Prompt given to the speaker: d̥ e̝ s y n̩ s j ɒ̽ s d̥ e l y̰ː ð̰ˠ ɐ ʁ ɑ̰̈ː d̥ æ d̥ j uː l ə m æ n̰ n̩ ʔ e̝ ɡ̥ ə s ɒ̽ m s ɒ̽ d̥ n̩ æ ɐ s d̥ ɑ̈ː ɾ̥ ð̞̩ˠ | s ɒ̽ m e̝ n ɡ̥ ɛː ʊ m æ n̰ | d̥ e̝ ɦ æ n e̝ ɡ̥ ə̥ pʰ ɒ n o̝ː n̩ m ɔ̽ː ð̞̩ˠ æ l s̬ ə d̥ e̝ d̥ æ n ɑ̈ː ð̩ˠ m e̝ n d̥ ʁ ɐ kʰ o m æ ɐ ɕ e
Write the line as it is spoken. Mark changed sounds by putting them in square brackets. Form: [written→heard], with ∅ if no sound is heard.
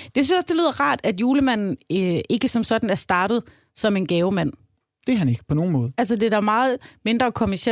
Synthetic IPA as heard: d̥ e̝ s y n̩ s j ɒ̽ s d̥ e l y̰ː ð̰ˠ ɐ ʁ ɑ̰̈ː d̥ æ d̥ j uː l ə m æ n̰ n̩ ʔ e̝ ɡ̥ ə s ɒ̽ m s ɒ̽ d̥ n̩ æ ɐ s d̥ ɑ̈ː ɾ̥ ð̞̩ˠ | s ɒ̽ m e̝ n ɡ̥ ɛː ʊ m æ n̰ | d̥ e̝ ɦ æ n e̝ ɡ̥ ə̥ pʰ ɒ n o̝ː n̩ m ɔ̽ː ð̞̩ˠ æ l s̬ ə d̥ e̝ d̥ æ [n→m] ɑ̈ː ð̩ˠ m e̝ n d̥ ʁ ɐ kʰ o m æ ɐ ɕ e